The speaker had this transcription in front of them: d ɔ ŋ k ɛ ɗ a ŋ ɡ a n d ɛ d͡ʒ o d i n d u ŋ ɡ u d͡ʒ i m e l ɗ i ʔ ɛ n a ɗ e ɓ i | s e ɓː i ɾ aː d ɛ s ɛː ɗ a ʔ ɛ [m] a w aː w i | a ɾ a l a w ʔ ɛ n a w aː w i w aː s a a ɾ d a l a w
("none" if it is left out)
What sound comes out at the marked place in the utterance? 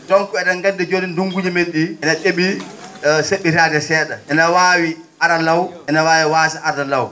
n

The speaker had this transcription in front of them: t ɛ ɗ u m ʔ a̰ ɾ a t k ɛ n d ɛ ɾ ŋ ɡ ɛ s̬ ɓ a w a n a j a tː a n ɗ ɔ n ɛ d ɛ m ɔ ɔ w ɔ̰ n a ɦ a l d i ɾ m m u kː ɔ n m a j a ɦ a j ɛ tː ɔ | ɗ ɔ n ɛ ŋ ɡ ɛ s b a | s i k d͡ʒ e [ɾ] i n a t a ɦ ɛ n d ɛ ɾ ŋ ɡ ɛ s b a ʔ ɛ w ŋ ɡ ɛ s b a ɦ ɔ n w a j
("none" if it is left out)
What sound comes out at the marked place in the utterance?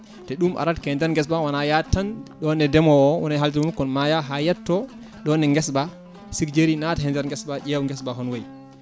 ɾ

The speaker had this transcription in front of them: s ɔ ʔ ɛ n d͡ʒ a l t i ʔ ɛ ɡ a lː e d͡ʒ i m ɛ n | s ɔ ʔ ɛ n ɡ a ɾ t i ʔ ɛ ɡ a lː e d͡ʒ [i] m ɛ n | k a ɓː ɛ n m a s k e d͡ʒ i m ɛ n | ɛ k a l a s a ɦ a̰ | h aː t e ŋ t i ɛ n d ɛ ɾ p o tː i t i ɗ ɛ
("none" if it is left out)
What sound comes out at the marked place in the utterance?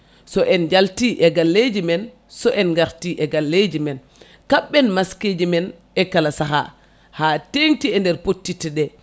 i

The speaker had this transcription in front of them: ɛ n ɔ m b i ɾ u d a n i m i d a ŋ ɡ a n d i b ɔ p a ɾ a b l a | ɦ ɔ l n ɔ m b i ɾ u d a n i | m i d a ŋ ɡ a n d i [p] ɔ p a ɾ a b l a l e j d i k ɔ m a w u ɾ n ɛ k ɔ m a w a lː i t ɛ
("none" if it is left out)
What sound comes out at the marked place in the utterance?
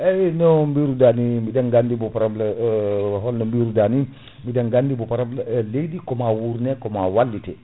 b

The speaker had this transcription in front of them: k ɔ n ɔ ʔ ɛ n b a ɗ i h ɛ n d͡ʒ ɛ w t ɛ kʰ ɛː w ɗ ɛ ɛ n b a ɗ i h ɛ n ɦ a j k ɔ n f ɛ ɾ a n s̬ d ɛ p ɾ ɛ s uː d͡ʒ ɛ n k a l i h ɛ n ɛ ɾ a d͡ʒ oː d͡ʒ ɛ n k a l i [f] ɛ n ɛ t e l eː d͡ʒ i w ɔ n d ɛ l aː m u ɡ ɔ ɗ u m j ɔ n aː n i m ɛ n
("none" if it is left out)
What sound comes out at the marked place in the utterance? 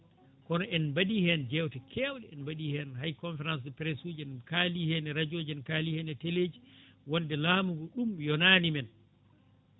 h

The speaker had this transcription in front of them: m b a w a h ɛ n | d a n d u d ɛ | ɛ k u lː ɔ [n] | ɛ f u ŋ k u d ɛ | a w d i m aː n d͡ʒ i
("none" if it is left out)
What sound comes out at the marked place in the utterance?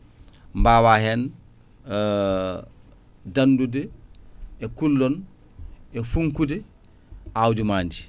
n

